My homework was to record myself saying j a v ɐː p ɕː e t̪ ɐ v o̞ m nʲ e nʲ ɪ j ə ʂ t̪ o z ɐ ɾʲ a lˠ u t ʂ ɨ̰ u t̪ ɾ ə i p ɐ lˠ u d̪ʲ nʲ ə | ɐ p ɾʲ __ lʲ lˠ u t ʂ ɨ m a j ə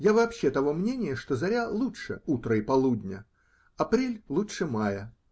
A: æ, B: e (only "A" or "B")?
B